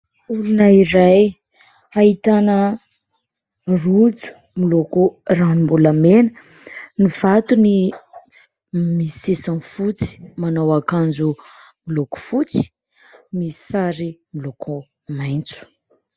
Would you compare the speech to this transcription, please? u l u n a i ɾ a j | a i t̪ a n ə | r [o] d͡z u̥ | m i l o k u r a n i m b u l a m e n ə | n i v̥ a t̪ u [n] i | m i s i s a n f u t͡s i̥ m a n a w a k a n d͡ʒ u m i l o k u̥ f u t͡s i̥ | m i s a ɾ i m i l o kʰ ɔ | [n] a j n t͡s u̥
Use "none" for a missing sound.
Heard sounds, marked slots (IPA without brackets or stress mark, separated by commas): u, n, m